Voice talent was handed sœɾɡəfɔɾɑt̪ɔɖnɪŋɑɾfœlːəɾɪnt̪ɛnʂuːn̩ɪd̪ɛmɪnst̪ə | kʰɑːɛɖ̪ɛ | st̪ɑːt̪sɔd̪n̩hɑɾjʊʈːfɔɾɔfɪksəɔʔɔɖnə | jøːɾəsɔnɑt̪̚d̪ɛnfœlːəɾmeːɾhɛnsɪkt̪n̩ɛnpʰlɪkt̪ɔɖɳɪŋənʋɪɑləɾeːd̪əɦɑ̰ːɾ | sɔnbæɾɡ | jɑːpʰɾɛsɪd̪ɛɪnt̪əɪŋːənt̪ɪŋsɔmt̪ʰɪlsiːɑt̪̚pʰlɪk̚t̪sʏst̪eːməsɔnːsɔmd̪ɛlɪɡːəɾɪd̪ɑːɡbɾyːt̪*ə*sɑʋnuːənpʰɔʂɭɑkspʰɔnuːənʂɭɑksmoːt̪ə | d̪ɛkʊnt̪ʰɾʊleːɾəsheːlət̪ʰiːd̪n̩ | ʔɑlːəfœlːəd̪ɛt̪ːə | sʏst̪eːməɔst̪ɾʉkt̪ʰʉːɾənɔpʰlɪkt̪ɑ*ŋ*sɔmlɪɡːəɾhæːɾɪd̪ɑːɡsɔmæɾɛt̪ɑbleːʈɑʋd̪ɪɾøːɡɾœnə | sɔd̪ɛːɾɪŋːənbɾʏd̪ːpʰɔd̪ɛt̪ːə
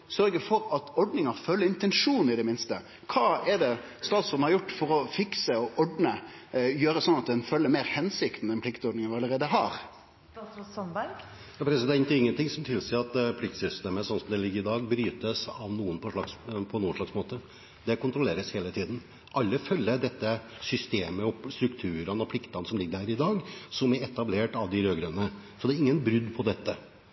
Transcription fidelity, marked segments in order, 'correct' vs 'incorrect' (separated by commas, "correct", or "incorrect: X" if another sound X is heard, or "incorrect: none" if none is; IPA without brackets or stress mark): correct, incorrect: n